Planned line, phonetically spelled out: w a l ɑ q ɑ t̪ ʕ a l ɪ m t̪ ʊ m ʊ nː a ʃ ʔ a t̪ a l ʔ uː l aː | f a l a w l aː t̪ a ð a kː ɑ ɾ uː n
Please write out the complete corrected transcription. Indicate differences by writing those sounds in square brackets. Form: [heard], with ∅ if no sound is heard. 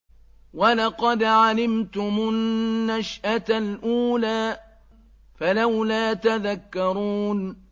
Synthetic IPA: w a l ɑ q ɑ [d̪] ʕ a l ɪ m t̪ ʊ m ʊ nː a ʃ ʔ a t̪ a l ʔ uː l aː | f a l a w l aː t̪ a ð a kː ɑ ɾ uː n